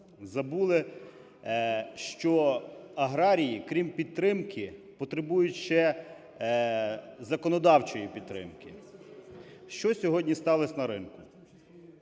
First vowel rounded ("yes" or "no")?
no